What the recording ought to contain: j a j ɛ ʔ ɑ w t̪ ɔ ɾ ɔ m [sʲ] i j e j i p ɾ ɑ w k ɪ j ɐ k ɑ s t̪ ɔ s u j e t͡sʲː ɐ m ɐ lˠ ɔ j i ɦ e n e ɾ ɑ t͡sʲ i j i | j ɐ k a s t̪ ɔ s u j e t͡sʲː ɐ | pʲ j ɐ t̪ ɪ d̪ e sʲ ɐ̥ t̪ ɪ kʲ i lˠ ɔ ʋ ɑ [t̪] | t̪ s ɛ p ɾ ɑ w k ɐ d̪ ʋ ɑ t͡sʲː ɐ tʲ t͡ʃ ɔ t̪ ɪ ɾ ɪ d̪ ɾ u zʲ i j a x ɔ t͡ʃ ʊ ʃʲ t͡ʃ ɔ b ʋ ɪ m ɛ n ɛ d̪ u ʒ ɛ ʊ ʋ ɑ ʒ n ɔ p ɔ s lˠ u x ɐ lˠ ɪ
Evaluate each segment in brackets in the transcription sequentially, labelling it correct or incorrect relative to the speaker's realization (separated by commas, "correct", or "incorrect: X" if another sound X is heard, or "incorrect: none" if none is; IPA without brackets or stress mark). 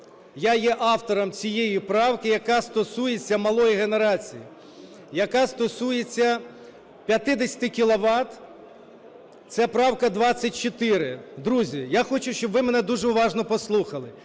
incorrect: t͡sʲ, correct